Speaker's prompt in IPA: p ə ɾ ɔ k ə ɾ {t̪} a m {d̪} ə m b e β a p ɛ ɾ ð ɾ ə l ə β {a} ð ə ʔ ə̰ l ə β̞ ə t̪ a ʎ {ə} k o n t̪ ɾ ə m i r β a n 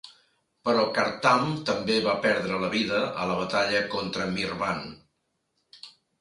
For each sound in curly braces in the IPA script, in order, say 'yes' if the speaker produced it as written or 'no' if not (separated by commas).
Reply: yes, no, no, yes